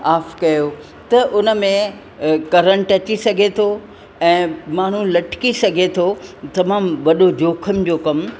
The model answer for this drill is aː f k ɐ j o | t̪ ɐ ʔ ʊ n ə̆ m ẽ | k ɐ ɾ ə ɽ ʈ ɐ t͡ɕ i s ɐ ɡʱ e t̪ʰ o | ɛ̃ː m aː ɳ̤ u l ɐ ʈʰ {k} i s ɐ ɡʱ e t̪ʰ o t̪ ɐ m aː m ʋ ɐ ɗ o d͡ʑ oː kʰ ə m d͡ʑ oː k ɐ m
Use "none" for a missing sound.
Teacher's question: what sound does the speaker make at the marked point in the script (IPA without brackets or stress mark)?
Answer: k